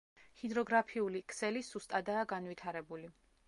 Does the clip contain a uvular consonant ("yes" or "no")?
no